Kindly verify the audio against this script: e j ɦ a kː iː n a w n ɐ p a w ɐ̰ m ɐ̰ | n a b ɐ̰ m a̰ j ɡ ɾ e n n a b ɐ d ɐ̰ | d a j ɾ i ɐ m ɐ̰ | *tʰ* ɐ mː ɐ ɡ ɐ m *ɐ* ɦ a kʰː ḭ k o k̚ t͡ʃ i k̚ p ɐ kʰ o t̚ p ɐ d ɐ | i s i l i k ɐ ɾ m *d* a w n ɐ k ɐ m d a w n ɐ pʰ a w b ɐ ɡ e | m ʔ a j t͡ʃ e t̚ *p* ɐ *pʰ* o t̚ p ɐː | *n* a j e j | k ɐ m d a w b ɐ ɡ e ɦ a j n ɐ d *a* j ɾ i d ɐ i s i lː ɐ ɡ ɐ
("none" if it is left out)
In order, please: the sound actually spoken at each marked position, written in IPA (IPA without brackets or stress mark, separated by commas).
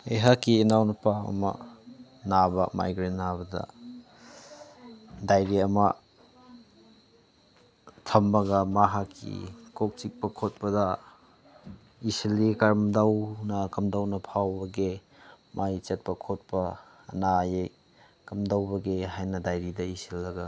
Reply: tʰ, a, d, p, kʰ, n, a